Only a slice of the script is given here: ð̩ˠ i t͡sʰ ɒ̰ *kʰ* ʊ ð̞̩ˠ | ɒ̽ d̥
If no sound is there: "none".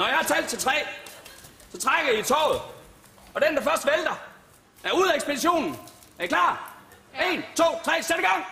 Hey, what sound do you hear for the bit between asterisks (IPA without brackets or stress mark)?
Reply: none